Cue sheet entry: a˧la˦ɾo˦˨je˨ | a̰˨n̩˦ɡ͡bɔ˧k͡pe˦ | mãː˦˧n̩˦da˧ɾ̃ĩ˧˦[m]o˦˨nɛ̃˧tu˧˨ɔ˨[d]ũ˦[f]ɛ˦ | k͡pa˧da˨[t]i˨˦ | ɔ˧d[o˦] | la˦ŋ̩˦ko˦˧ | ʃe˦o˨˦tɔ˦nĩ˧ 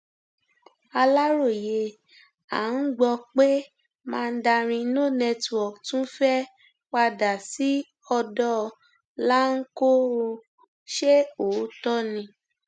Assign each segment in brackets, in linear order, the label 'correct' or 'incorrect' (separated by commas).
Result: incorrect, incorrect, correct, incorrect, incorrect